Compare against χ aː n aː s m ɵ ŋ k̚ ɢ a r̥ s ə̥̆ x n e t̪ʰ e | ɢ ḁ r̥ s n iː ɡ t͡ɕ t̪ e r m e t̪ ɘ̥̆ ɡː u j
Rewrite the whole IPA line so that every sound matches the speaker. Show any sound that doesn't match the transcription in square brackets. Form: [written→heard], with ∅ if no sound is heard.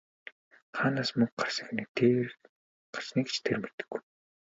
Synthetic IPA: χ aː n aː s m ɵ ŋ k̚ ɢ a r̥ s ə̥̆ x n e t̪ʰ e | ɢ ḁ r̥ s n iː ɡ t͡ɕ [t̪→t̪ʰ] e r m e t̪ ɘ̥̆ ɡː u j

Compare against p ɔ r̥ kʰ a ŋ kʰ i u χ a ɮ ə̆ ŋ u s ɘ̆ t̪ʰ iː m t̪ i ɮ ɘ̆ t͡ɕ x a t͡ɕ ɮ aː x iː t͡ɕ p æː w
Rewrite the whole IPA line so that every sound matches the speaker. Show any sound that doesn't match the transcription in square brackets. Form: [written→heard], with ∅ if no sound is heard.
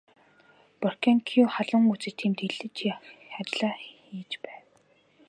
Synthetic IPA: p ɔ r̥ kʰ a ŋ kʰ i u χ a ɮ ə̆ ŋ u [s→t͡s] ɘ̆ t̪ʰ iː m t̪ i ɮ ɘ̆ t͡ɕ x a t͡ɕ ɮ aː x iː t͡ɕ p æː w

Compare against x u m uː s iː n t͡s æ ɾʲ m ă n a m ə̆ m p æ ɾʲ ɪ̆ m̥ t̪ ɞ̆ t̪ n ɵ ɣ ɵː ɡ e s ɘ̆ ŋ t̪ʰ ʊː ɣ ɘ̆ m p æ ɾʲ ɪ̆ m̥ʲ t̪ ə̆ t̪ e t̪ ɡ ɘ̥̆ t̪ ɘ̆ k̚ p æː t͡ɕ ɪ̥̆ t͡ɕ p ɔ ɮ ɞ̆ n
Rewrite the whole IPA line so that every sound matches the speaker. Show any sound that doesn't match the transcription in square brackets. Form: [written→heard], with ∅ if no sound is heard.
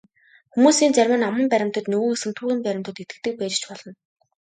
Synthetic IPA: x u m uː s iː n t͡s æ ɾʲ m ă n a m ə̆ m p æ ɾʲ ɪ̆ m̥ t̪ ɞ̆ t̪ n ɵ ɣ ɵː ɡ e s ɘ̆ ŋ t̪ʰ [ʊː→uː] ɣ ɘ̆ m p æ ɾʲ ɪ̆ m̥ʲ t̪ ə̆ t̪ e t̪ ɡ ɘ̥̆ t̪ ɘ̆ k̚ p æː t͡ɕ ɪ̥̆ t͡ɕ p ɔ ɮ ɞ̆ n

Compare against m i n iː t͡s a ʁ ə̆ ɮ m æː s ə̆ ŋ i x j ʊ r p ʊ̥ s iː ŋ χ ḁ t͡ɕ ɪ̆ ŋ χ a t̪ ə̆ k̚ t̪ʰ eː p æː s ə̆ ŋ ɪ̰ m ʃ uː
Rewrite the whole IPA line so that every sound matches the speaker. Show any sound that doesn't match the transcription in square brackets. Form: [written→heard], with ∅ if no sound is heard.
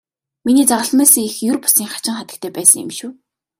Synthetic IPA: m i n iː t͡s a ʁ ə̆ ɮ m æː s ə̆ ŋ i x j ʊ r p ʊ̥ s iː ŋ χ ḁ t͡ɕ ɪ̆ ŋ χ a t̪ ə̆ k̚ t̪ʰ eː p æː s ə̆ ŋ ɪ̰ m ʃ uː

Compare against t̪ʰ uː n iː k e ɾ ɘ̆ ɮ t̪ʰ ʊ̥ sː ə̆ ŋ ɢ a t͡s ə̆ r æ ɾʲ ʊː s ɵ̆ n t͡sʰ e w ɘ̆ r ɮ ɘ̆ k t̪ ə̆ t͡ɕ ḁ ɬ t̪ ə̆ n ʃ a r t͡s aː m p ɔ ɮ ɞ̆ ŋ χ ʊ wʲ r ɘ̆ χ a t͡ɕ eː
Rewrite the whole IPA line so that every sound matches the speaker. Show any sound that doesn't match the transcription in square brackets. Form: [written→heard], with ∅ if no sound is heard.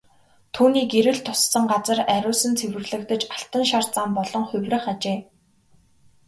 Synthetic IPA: t̪ʰ uː n iː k e ɾ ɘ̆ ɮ t̪ʰ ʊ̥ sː ə̆ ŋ ɢ a t͡s ə̆ r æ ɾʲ ʊː s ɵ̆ n t͡sʰ e w ɘ̆ r ɮ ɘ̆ k t̪ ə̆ t͡ɕ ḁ ɬ t̪ ə̆ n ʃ a r t͡s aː m p ɔ ɮ ɞ̆ ŋ χ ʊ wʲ r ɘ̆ χ a t͡ɕ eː

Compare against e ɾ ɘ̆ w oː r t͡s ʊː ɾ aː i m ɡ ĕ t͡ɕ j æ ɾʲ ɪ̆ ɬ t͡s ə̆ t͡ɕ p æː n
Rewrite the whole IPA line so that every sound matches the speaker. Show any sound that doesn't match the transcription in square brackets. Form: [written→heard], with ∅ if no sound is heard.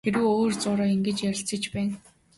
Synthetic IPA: e ɾ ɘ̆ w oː r t͡s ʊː ɾ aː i [m→ŋ] ɡ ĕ t͡ɕ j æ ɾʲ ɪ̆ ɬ t͡s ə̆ t͡ɕ p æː n

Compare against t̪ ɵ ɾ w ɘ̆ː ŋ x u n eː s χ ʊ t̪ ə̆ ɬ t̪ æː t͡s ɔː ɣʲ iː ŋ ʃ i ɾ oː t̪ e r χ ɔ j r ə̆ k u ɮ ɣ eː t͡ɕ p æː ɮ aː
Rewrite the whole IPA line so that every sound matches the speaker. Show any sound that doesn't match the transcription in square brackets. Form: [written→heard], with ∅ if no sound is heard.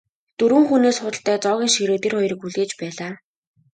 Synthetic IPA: t̪ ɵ ɾ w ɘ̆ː ŋ x u n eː s χ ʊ t̪ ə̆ ɬ t̪ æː t͡s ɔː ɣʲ iː ŋ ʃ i ɾ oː t̪ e r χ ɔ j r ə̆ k u ɮ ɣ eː t͡ɕ p æː ɮ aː

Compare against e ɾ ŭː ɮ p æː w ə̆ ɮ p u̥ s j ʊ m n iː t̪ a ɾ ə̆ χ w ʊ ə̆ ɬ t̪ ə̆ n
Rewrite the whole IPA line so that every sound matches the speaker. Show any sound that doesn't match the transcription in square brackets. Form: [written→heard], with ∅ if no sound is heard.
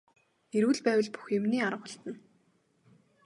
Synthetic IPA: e ɾ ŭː ɮ p æː w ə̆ ɮ p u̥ [s→x] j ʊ m n iː [t̪→∅] a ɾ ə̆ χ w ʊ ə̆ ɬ t̪ ə̆ n

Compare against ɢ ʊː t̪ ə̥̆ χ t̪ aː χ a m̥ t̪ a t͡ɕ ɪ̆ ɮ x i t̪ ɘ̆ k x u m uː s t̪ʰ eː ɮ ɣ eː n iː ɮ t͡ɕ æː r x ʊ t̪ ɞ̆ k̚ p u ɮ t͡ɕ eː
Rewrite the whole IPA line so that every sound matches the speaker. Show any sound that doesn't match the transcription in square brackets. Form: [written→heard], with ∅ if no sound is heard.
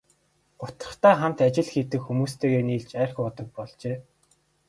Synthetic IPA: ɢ [ʊː→ʊ] t̪ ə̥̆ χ t̪ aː χ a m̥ t̪ a t͡ɕ ɪ̆ ɮ x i t̪ ɘ̆ k x u m uː s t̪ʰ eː [ɮ→∅] ɣ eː n iː ɮ t͡ɕ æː r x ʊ t̪ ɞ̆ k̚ p [u→ɔ] ɮ t͡ɕ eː

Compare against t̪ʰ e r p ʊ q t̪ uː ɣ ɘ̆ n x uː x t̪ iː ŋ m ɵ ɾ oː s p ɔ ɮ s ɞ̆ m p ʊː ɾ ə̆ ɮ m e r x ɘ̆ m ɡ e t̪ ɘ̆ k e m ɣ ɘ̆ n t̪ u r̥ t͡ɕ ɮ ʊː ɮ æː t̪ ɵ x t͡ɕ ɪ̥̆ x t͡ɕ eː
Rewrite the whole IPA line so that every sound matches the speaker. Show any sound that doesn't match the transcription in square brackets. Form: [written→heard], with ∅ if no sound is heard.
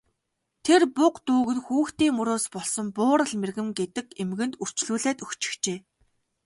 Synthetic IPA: t̪ʰ e r p ʊ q t̪ uː ɣ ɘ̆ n x uː x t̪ iː ŋ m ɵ ɾ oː s p ɔ ɮ s ɞ̆ m p ʊː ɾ ə̆ ɮ m e r [x→ɣ] ɘ̆ m ɡ e t̪ ɘ̆ k e m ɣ ɘ̆ n t̪ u r̥ t͡ɕ ɮ [ʊː→uː] ɮ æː t̪ ɵ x t͡ɕ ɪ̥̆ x t͡ɕ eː

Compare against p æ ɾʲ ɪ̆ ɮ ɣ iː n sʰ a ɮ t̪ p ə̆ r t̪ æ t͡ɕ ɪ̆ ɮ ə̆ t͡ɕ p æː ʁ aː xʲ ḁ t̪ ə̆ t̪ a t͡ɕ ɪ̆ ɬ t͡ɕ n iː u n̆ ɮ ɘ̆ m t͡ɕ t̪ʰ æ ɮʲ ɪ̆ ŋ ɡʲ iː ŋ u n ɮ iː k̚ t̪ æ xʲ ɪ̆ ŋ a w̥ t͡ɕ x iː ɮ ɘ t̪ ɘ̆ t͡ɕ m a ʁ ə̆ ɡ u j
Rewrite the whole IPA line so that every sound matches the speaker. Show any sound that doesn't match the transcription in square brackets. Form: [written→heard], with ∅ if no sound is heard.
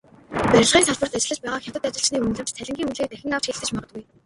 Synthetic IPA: p æ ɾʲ ɪ̆ ɮ [ɣ→ʁ] iː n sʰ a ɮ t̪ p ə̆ r t̪ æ t͡ɕ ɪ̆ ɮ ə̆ t͡ɕ p æː ʁ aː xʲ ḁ t̪ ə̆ t̪ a t͡ɕ ɪ̆ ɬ t͡ɕ n iː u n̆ ɮ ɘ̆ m t͡ɕ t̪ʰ æ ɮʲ ɪ̆ ŋ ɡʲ iː ŋ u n ɮ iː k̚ t̪ æ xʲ ɪ̆ ŋ a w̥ t͡ɕ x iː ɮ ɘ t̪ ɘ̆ t͡ɕ m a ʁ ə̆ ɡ u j

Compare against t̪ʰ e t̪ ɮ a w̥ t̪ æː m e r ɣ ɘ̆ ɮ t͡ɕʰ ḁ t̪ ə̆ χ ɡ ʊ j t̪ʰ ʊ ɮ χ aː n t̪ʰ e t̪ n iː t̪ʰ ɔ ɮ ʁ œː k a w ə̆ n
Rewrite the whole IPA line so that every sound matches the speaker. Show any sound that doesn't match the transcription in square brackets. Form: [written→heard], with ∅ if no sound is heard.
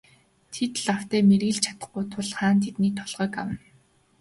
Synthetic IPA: t̪ʰ e t̪ ɮ a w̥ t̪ æː m e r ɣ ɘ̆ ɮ t͡ɕʰ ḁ t̪ ə̆ χ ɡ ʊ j t̪ʰ ʊ ɮ χ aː n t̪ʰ e t̪ n iː t̪ʰ ɔ ɮ ʁ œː k a w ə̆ n

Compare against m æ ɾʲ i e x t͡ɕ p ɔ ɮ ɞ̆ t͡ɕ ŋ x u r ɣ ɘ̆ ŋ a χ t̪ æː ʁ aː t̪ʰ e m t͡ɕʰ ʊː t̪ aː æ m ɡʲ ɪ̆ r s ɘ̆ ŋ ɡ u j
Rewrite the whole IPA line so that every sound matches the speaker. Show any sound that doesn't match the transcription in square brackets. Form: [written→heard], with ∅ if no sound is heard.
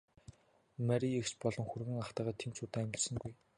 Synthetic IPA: m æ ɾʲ i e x t͡ɕ p ɔ ɮ ɞ̆ [t͡ɕ→∅] ŋ x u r ɣ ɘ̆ ŋ a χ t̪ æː ʁ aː t̪ʰ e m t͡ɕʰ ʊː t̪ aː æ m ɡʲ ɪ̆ r s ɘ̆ ŋ ɡ u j

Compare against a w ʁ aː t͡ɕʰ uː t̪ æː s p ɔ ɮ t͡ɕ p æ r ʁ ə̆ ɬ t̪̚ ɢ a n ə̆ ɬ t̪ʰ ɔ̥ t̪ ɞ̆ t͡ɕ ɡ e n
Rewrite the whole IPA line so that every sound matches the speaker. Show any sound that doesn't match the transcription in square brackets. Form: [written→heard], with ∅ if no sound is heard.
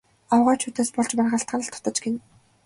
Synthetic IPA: a w ʁ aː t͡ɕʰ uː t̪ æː s p ɔ ɮ t͡ɕ p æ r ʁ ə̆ ɬ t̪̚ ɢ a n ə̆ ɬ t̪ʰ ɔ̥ t̪ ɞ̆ t͡ɕ ɡ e n

